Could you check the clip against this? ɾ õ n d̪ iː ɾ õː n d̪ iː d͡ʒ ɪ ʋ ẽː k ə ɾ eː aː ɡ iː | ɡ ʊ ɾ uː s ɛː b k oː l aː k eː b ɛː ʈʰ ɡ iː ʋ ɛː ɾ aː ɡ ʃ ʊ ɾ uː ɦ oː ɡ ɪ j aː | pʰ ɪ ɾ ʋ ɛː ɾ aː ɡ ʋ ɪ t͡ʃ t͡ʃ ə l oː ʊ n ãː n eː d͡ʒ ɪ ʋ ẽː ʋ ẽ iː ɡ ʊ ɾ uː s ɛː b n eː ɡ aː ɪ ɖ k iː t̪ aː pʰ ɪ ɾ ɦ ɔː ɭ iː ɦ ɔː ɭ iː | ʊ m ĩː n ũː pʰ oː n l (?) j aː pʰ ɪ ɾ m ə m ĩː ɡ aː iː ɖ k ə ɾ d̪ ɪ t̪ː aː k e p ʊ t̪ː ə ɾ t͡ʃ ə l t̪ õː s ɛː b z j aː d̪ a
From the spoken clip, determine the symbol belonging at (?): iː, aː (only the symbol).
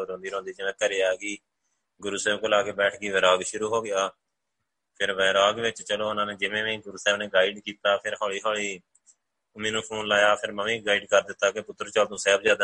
aː